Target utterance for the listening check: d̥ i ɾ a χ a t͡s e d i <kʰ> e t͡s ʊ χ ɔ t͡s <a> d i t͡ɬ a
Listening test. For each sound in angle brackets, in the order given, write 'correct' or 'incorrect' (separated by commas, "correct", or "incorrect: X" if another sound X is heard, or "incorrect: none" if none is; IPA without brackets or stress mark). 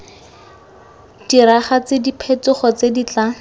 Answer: incorrect: pʰ, incorrect: e